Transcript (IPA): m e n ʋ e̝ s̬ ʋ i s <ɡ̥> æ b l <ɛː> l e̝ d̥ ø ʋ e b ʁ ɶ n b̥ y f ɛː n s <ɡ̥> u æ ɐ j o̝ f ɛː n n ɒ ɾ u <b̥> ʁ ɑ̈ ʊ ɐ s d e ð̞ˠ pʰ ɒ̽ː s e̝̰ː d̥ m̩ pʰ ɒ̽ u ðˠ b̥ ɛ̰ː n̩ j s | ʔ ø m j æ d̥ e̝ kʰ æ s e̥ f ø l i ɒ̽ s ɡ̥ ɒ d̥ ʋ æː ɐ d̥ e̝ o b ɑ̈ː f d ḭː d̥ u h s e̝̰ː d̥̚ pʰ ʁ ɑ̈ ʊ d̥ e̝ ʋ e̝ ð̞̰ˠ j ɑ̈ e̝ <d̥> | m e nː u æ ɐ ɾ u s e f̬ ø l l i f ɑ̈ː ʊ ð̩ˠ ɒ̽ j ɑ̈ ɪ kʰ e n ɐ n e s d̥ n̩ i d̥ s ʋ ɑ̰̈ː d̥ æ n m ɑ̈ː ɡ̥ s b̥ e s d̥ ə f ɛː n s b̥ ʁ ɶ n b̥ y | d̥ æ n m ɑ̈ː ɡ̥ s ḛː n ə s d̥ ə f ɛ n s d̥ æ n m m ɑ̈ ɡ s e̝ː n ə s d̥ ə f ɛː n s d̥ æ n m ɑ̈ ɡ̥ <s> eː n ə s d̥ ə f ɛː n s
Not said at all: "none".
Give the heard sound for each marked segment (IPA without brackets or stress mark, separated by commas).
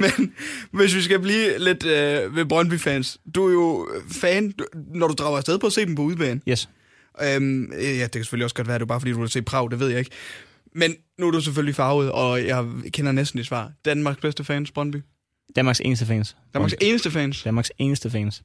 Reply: ɡ̥, iː, d̥, d̥, ɡ̥, s